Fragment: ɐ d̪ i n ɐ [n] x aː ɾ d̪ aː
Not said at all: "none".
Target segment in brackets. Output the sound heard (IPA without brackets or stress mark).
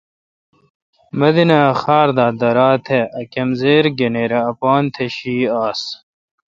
none